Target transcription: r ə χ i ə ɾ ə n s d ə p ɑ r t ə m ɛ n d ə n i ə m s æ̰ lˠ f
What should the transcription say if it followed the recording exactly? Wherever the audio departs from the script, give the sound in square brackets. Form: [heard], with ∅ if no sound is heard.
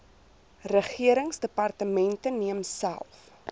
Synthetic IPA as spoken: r ə χ i ə ɾ ə [ŋ] s d ə p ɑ r t ə m ɛ n [t] ə n i ə m s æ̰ lˠ f